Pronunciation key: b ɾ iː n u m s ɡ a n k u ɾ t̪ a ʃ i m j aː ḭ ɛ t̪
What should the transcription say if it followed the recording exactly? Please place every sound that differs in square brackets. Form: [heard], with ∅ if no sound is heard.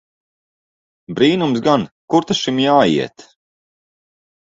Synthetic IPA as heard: b ɾ iː n u m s ɡ a n k u ɾ t̪ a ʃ i m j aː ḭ ɛ t̪